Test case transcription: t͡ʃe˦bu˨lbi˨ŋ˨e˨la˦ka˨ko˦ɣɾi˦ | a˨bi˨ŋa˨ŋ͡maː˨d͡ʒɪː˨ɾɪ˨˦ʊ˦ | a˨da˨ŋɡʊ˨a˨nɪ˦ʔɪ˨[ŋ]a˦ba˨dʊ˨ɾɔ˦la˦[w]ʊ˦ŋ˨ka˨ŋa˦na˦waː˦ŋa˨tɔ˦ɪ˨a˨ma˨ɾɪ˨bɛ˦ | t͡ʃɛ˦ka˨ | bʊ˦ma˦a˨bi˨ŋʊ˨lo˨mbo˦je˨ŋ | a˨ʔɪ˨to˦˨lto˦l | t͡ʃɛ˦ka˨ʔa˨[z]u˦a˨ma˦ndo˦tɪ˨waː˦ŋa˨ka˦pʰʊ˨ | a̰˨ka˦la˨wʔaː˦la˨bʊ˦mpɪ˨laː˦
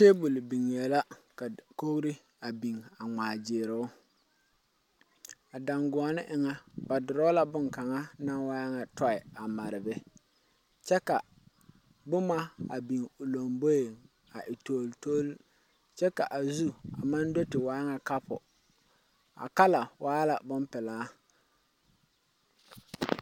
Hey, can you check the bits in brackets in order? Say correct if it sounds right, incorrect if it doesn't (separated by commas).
correct, incorrect, correct